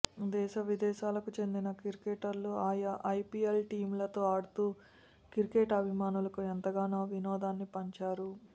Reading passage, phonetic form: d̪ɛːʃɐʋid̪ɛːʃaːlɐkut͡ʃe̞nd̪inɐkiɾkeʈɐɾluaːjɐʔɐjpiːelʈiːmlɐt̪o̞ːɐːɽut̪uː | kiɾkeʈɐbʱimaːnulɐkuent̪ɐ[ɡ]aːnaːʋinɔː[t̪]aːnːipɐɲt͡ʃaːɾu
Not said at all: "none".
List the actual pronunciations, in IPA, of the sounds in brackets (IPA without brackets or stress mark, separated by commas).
ɡ, d̪